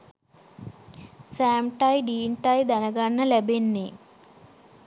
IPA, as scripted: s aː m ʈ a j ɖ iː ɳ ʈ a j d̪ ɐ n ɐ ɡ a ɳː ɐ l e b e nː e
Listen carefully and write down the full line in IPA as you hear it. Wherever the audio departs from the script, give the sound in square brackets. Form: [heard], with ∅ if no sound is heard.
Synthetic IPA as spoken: s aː m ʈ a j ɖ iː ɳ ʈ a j d̪ ɐ n ɐ ɡ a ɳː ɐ l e b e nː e

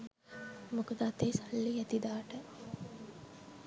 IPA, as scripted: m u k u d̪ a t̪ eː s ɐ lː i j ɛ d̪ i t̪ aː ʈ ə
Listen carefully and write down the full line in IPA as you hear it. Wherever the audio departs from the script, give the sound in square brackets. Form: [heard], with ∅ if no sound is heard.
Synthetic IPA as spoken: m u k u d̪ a t̪ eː s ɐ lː i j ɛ [t̪] i [d̪] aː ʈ ə

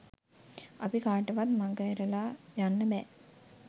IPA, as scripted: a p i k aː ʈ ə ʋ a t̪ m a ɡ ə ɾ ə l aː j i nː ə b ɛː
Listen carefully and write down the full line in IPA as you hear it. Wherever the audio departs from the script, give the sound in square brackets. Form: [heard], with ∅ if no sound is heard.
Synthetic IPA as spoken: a p i k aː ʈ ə ʋ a t̪ m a ɡ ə ɾ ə l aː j [a] nː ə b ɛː

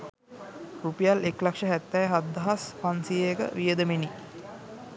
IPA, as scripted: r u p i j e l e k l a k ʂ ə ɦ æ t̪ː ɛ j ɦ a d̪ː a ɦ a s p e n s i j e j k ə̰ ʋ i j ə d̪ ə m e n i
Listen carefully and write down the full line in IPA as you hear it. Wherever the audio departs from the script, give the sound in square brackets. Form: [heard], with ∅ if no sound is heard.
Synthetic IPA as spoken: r u p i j [a] l e k l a k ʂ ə ɦ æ t̪ː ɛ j ɦ a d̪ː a ɦ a s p [a] n s i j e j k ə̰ ʋ i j ə d̪ ə m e n i

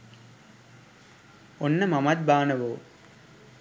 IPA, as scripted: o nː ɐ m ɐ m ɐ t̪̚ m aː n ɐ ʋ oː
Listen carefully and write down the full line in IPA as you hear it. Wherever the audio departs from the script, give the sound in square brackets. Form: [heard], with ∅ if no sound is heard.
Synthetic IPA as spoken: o nː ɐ m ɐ m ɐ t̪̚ [b] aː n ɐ ʋ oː

